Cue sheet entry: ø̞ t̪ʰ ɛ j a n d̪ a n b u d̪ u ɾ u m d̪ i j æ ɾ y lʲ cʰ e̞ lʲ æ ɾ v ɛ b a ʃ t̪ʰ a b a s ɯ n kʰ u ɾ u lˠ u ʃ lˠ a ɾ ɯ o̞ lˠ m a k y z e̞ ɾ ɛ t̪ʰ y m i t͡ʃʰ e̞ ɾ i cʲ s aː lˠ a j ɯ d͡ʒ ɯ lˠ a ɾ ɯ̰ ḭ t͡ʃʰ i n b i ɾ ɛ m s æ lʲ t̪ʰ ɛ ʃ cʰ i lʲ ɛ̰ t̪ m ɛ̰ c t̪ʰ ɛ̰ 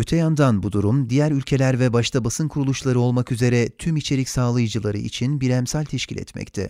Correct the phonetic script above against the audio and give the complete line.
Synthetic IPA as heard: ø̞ t̪ʰ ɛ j a n d̪ a n b u d̪ u ɾ u m d̪ i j æ ɾ y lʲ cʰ e̞ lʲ æ ɾ v ɛ b a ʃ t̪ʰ a b a s ɯ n kʰ u ɾ u lˠ u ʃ lˠ a ɾ ɯ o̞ lˠ m a k y z e̞ ɾ ɛ t̪ʰ y m i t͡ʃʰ e̞ ɾ i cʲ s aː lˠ a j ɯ d͡ʒ ɯ lˠ a ɾ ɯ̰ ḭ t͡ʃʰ i n b i ɾ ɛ m s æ lʲ t̪ʰ ɛ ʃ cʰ i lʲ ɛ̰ t̪ m ɛ̰ c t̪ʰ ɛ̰